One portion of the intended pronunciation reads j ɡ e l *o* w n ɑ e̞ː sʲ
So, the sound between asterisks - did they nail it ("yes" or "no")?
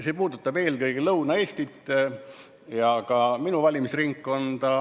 no